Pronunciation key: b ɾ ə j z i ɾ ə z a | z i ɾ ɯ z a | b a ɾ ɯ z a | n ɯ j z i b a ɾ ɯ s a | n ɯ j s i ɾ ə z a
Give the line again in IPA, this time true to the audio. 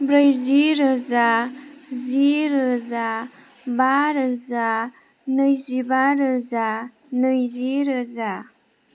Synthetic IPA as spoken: b ɾ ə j z i ɾ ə z a | z i ɾ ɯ z a | b a ɾ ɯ z a | n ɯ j z i b a ɾ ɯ z a | n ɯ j z i ɾ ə z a